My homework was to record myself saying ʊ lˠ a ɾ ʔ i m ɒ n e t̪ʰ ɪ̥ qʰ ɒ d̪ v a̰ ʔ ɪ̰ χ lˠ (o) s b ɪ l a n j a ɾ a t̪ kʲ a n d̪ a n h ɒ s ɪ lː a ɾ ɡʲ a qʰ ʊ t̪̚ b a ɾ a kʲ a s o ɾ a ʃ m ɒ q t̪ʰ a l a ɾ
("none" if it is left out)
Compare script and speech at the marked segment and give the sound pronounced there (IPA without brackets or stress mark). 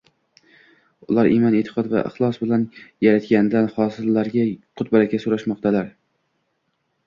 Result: ɒ